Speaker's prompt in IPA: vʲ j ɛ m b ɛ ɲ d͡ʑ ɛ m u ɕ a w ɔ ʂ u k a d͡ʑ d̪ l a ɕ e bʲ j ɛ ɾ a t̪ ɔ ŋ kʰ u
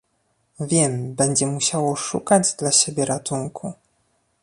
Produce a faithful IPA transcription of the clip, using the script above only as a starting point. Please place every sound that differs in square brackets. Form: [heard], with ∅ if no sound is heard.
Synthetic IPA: vʲ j ɛ m b ɛ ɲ d͡ʑ ɛ m u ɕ a w ɔ ʂ u k a d͡ʑ d̪ l a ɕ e bʲ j ɛ ɾ a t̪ [u] ŋ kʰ u